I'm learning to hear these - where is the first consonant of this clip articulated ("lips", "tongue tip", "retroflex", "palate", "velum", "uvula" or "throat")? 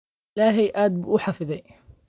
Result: tongue tip